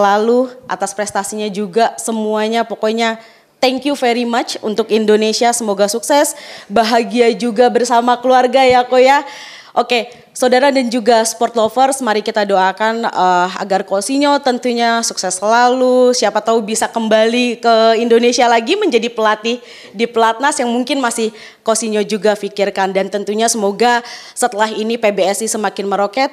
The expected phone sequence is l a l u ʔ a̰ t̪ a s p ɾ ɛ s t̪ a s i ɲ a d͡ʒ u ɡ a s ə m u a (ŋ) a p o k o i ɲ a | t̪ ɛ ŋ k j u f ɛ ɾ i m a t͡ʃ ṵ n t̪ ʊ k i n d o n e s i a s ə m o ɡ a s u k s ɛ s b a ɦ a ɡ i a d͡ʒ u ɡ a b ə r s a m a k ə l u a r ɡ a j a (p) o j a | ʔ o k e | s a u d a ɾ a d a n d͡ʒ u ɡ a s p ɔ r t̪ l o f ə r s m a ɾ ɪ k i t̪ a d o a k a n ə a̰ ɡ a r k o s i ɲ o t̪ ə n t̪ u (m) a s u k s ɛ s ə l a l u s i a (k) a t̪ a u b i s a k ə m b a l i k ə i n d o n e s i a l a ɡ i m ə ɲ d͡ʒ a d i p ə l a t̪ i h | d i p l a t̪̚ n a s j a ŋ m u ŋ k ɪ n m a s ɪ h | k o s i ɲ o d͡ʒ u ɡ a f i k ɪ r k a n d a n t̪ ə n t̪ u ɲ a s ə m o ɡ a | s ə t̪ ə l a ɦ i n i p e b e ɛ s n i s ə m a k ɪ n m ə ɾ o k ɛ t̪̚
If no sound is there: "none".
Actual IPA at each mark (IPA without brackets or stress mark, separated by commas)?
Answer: ɲ, k, ɲ, p